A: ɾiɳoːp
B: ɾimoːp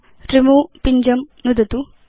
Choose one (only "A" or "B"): B